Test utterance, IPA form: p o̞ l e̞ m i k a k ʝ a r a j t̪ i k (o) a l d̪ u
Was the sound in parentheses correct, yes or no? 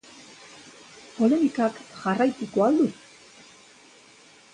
yes